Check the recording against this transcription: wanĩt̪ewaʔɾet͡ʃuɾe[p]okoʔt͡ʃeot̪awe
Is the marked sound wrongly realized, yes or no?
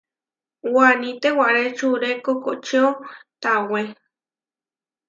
yes